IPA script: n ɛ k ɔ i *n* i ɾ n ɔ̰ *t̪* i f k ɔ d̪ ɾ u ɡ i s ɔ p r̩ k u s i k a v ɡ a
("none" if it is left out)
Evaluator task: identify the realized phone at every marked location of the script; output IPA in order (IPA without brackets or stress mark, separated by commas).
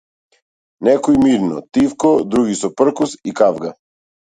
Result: m, t̪